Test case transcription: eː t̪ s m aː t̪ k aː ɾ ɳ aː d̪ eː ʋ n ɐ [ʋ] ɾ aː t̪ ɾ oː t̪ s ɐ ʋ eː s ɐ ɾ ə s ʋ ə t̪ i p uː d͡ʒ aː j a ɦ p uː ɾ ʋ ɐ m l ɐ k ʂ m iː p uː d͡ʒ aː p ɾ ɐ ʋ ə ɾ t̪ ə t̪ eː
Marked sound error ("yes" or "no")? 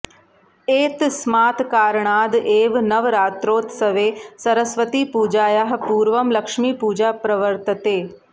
no